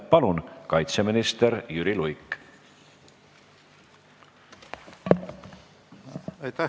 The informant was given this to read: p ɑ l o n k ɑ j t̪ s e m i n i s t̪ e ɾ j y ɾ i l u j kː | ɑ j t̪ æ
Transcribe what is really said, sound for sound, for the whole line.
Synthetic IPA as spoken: p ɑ l u n k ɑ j t̪ s e m i n i s t̪ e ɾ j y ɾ i l u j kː | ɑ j t̪ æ